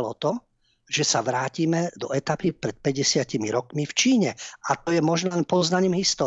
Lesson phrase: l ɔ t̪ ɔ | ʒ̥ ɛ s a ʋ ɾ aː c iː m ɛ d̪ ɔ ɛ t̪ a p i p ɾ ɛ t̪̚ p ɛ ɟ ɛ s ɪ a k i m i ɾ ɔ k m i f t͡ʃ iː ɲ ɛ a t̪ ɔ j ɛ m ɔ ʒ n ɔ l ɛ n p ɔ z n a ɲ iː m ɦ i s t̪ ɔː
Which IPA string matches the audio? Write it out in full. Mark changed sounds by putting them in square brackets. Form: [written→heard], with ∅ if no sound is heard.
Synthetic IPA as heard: l ɔ t̪ ɔ | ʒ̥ ɛ s a ʋ ɾ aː c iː m ɛ d̪ ɔ ɛ t̪ a p i p ɾ ɛ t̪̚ p ɛ ɟ ɛ s ɪ a [k→c] i m i ɾ ɔ k m i f t͡ʃ iː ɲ ɛ a t̪ ɔ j ɛ m ɔ ʒ n ɔ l ɛ n p ɔ z n a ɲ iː m ɦ i s t̪ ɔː